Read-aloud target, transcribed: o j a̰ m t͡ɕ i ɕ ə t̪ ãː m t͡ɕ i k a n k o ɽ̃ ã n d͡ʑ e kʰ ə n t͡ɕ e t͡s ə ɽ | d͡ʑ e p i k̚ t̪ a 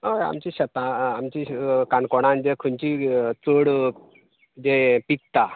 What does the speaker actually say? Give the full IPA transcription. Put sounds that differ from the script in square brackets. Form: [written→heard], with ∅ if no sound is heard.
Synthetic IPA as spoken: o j a̰ m t͡ɕ i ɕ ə t̪ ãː m t͡ɕ i k a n k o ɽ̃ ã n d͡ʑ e kʰ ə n t͡ɕ [e→i] t͡s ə ɽ | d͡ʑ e p i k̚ t̪ a